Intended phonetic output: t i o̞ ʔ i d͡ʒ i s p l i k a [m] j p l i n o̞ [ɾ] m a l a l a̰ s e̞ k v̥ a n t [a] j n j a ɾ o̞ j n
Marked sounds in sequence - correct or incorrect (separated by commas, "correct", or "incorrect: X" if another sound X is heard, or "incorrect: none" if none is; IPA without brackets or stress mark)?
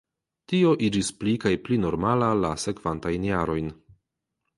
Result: incorrect: none, correct, correct